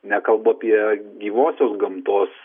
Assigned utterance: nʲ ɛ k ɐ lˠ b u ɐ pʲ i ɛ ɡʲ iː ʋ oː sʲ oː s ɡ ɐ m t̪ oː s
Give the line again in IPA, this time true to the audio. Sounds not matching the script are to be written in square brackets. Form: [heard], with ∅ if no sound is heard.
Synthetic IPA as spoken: nʲ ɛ k ɐ lˠ b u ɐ pʲ i ɛ ɡʲ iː ʋ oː sʲ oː s ɡ ɐ m t̪ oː s